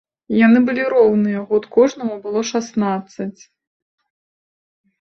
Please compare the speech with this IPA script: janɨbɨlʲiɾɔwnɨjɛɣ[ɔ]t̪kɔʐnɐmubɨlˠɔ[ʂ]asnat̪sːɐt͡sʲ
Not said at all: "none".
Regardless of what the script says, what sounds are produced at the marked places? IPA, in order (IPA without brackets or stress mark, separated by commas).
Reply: ɔ, ʂ